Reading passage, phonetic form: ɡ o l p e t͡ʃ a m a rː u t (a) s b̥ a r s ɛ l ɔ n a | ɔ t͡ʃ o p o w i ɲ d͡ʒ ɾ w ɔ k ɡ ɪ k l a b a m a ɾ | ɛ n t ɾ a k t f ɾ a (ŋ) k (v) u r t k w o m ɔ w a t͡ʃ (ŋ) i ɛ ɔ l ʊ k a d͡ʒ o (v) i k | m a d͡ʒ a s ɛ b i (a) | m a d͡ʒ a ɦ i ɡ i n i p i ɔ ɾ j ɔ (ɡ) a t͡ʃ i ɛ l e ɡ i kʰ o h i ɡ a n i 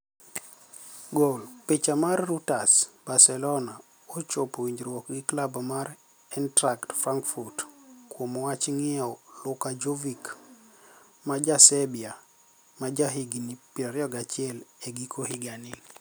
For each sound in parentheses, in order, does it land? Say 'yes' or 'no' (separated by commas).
yes, yes, no, yes, yes, yes, yes